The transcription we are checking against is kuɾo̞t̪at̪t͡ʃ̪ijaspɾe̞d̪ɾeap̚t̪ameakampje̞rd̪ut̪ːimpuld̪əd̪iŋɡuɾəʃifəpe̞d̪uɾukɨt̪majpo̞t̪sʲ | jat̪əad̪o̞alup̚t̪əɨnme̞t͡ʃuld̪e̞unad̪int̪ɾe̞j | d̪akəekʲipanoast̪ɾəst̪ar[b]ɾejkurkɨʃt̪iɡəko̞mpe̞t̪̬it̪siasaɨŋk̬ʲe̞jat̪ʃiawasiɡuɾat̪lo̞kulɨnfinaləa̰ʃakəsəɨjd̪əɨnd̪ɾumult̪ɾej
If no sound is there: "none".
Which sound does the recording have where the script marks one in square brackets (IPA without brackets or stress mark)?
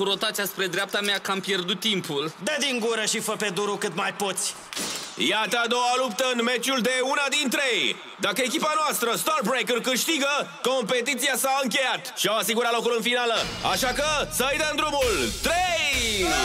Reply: b